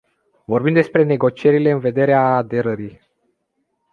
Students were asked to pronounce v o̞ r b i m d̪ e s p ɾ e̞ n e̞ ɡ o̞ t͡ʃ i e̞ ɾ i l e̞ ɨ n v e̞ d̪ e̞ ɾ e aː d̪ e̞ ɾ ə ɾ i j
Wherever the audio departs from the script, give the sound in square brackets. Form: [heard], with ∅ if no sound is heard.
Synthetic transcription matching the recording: v o̞ r b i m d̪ e s p ɾ e̞ n e̞ ɡ o̞ t͡ʃ i e̞ ɾ i l e̞ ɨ n v e̞ d̪ e̞ ɾ e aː d̪ e̞ ɾ ə ɾ i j